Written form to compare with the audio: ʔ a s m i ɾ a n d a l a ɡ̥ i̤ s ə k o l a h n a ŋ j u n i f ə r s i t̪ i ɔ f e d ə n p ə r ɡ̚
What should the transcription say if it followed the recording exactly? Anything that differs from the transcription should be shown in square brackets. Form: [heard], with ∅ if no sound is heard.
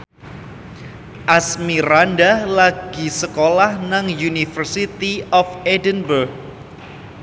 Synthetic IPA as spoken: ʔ a s m i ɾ a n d a l a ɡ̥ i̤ s ə k o l a h n a ŋ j u n i f ə r s i t̪ i ɔ f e d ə n [b] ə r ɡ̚